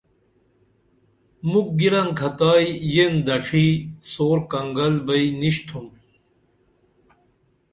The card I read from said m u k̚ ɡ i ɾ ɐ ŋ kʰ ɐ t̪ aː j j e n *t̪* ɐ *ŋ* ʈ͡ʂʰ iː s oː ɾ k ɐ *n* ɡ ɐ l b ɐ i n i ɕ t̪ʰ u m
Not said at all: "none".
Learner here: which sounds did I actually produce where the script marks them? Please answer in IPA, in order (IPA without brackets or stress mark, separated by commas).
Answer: d̪, none, ŋ